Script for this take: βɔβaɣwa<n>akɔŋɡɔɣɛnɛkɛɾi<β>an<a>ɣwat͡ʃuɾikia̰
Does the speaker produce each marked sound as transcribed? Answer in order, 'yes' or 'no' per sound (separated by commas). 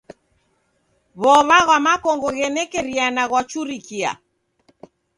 no, no, yes